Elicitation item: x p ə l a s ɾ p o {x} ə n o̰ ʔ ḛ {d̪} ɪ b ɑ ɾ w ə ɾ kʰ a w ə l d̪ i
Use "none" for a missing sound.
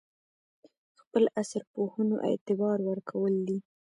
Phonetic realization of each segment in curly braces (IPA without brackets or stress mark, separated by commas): h, t̪